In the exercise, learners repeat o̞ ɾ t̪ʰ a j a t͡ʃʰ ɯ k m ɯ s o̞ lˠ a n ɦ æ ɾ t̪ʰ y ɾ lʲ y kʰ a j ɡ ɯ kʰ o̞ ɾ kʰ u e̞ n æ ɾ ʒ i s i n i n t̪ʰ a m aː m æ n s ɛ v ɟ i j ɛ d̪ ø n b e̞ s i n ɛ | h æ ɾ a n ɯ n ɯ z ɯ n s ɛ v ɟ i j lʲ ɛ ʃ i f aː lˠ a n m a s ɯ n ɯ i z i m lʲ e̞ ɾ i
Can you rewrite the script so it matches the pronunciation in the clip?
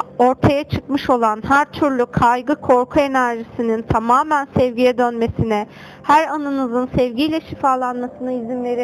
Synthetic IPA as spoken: o̞ ɾ t̪ʰ a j a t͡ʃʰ ɯ k m ɯ ʃ o̞ lˠ a n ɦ æ ɾ t̪ʰ y ɾ lʲ y kʰ a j ɡ ɯ kʰ o̞ ɾ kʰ u e̞ n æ ɾ ʒ i s i n i n t̪ʰ a m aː m æ n s ɛ v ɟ i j ɛ d̪ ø n m e̞ s i n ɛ | h æ ɾ a n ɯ n ɯ z ɯ n s ɛ v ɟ i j lʲ ɛ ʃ i f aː lˠ a n m a s ɯ n ɯ i z i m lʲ e̞ ɾ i